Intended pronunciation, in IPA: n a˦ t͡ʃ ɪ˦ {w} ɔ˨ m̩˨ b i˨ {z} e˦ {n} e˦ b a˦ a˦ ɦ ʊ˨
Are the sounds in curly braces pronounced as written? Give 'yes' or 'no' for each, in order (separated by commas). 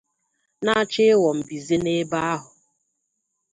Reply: yes, yes, yes